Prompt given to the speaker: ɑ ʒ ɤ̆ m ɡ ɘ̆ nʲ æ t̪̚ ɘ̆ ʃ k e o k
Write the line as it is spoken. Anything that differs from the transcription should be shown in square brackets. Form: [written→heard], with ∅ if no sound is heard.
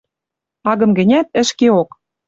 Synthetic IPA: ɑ [ʒ→ɣ] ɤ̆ m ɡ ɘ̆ nʲ æ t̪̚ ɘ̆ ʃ k e o k